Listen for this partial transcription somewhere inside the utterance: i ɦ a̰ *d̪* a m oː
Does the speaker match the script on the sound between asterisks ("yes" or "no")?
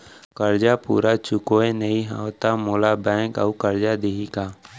no